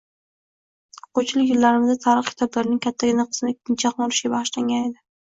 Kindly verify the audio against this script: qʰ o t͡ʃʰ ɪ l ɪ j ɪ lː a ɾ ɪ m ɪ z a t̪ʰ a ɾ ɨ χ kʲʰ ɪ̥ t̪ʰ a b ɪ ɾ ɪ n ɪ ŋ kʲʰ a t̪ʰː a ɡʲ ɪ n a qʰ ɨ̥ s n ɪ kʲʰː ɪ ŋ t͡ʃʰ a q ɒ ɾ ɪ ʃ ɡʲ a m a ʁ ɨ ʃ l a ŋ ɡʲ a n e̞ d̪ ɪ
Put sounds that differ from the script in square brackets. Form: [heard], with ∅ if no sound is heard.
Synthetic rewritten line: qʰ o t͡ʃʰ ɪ l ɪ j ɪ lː a ɾ ɪ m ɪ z a t̪ʰ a ɾ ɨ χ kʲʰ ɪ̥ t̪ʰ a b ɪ ɾ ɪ n ɪ ŋ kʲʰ a t̪ʰː a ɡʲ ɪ n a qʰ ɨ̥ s n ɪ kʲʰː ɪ [n] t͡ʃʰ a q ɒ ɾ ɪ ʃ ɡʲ a [b] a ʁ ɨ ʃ l a ŋ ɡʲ a n e̞ d̪ ɪ